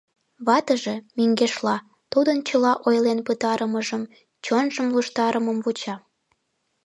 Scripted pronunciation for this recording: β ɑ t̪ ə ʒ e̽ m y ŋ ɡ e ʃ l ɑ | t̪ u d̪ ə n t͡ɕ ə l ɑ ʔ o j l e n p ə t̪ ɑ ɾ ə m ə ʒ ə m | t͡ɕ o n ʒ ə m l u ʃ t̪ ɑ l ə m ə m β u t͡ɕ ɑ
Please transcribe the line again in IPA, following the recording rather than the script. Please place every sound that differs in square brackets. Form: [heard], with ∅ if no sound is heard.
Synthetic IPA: β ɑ t̪ ə ʒ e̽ m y ŋ ɡ e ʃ l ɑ | t̪ u d̪ ə n t͡ɕ ə l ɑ ʔ o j l e n p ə t̪ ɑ ɾ ə m ə ʒ ə m | t͡ɕ o n ʒ ə m l u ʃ t̪ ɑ [ɾ] ə m ə m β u t͡ɕ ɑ